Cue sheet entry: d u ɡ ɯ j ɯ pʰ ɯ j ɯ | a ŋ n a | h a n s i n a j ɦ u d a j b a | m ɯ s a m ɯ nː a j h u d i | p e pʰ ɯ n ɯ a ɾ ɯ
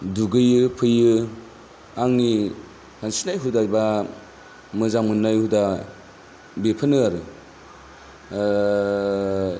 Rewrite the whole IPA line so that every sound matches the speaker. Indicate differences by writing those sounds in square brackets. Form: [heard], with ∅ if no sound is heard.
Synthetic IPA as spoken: d u ɡ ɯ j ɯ pʰ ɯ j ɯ | a ŋ n [i] | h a n s i n a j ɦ u d a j b a | m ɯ [z] a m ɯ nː a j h u d [a] | [b] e pʰ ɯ n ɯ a ɾ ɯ